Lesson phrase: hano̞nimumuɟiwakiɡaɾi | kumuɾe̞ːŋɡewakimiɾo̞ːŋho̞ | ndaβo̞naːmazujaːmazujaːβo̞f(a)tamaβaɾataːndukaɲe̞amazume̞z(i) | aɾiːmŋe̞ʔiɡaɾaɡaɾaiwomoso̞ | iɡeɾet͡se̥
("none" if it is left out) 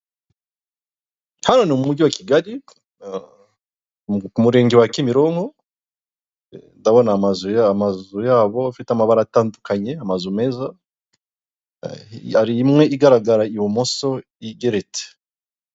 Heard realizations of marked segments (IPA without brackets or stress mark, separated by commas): i, a